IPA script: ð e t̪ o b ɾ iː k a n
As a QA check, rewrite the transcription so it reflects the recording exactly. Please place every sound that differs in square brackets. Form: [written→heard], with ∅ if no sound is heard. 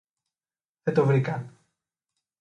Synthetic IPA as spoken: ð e t̪ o [b→v] ɾ [iː→i] k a n